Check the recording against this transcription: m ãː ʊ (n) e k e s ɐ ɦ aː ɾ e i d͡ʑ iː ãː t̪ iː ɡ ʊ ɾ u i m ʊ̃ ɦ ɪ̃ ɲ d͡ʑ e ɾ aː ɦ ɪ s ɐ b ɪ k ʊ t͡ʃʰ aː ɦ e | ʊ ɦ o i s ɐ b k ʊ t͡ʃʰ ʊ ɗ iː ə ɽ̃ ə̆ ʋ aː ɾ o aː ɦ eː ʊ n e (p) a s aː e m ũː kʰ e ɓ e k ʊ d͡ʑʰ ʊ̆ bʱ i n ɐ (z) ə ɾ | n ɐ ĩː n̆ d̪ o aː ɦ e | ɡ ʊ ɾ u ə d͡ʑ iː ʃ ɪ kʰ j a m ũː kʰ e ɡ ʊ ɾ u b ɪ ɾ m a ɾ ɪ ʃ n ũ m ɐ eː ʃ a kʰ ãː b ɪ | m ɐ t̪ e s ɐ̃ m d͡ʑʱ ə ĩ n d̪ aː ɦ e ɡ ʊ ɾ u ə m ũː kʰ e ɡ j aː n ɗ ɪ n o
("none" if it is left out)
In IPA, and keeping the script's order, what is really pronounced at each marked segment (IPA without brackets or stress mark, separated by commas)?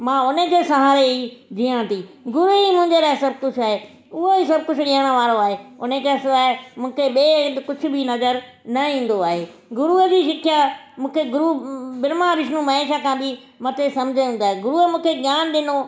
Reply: n, k, z